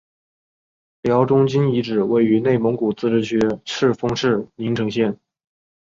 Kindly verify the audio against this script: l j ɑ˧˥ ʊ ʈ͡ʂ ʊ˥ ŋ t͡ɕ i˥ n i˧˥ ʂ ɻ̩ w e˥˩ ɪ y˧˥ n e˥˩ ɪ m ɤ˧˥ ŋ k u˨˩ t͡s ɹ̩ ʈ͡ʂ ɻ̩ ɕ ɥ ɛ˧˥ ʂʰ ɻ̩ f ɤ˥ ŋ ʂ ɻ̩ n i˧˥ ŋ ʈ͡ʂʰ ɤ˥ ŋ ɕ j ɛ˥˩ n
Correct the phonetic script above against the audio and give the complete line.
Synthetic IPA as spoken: l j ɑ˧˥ ʊ ʈ͡ʂ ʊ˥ ŋ t͡ɕ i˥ n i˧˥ ʈ͡ʂ ɻ̩ w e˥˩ ɪ y˧˥ n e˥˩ ɪ m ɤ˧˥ ŋ k u˨˩ t͡s ɹ̩ ʈ͡ʂ ɻ̩ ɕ ɥ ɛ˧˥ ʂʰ ɻ̩ f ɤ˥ ŋ ʂ ɻ̩ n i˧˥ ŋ ʈ͡ʂʰ ɤ˧˥ ŋ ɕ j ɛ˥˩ n